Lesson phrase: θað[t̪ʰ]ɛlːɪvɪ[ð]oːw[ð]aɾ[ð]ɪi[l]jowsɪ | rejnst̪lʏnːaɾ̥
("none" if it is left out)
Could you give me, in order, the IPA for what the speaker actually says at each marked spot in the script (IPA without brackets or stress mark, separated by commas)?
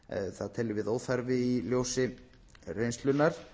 t̪ʰ, ð, θ, v, l